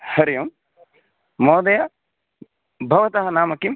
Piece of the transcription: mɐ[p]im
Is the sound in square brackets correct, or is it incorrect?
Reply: incorrect